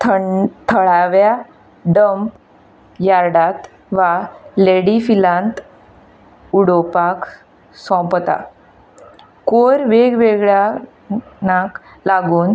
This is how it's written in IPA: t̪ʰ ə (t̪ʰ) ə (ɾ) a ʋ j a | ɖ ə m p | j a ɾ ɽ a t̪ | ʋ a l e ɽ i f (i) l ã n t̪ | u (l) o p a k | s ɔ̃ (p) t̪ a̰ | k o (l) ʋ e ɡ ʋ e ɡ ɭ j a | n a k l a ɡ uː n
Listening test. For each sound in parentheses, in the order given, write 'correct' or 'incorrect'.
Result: correct, incorrect: ɭ, correct, incorrect: ɽ, correct, incorrect: ɾ

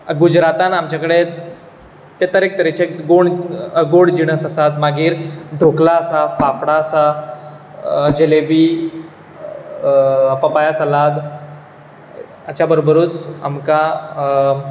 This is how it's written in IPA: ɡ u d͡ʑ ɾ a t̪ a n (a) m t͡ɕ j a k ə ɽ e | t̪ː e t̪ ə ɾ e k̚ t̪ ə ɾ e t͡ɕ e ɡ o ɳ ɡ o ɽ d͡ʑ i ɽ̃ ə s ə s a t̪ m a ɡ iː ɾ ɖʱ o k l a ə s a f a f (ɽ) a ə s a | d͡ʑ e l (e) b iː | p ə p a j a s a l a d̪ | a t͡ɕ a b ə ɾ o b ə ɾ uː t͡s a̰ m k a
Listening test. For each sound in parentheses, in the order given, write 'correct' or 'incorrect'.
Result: correct, correct, correct

